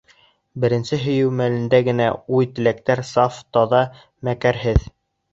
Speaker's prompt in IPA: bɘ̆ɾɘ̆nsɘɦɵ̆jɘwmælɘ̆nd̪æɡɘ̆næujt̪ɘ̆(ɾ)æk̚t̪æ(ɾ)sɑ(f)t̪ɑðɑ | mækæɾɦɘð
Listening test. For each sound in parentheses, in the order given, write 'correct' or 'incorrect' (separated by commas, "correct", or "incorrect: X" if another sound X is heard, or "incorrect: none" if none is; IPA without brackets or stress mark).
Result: incorrect: l, correct, correct